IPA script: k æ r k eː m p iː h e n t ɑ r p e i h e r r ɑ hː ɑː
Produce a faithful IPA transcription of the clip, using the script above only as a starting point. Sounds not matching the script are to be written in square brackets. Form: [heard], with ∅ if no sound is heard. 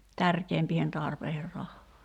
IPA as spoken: [t] æ r k eː m p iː h e n t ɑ r p e i h e r r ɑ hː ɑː